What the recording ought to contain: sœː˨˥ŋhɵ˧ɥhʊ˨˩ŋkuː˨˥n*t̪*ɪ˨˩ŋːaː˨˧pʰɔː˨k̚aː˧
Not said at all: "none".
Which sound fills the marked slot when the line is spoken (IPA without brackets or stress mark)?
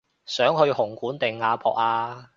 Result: t̪